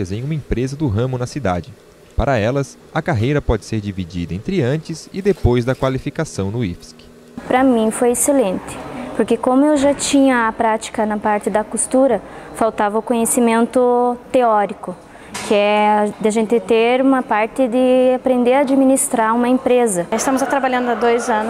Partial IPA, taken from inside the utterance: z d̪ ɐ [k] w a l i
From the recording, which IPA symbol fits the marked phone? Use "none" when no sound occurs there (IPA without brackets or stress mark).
k